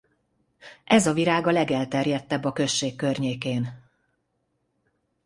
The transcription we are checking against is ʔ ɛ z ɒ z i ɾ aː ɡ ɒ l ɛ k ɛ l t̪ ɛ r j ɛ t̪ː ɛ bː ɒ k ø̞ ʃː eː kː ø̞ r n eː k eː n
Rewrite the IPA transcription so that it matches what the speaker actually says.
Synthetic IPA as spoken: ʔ ɛ z ɒ v i ɾ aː ɡ ɒ l ɛ ɡ ɛ l t̪ ɛ r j ɛ t̪ː ɛ bː ɒ k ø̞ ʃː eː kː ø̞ r ɲ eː k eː n